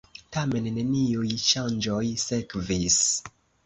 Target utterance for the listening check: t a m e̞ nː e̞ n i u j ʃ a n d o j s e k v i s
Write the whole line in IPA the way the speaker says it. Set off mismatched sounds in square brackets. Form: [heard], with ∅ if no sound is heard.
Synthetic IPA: t a m e̞ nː e̞ n i u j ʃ a n [d͡ʒ] o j s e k v i s